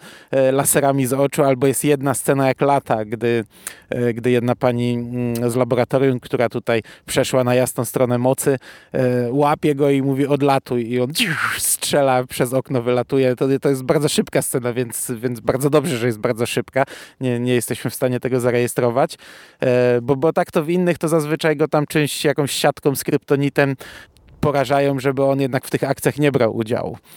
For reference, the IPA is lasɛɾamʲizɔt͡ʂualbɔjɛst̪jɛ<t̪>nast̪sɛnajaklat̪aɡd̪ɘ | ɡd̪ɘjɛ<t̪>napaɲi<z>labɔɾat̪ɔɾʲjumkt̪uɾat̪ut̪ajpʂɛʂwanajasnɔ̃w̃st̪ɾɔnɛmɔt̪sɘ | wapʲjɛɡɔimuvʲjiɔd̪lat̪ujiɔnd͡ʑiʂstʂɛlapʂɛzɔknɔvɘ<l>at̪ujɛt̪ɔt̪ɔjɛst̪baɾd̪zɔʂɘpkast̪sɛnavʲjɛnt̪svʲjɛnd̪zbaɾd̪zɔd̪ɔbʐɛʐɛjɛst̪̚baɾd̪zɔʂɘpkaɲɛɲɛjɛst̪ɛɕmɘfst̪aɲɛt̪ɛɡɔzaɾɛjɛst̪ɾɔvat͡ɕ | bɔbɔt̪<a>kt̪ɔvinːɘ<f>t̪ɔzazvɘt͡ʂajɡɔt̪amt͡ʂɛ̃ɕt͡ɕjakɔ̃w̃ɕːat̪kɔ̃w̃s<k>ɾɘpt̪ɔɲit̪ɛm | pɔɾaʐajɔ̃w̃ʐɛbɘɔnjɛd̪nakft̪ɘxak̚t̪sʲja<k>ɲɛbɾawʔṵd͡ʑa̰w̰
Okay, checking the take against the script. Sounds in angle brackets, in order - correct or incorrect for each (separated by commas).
incorrect, incorrect, correct, correct, correct, incorrect, correct, incorrect